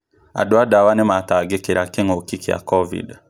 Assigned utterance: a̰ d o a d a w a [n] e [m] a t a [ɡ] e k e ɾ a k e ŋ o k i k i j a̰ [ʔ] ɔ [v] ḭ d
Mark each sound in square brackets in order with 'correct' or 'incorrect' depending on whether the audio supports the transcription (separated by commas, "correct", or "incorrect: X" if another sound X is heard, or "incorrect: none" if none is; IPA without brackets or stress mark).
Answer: correct, correct, correct, incorrect: k, correct